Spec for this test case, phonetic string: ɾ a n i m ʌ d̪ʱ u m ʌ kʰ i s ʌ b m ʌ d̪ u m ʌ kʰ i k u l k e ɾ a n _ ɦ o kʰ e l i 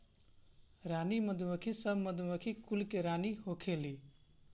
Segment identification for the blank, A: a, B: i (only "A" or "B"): B